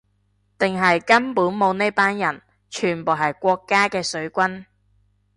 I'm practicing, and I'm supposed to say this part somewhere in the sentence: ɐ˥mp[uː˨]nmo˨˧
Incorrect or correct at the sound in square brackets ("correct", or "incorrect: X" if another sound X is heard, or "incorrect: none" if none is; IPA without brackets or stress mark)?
incorrect: uː˨˥